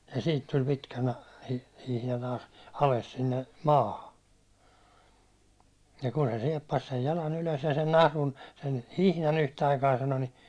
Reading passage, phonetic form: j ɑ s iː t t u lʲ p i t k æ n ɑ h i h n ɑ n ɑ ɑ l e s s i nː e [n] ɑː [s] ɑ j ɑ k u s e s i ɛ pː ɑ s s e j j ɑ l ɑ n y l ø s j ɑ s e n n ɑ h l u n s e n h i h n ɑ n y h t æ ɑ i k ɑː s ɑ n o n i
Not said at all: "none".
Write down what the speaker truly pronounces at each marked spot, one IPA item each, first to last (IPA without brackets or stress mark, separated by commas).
m, h